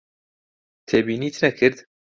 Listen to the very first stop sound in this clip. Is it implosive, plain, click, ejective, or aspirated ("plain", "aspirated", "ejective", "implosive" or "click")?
aspirated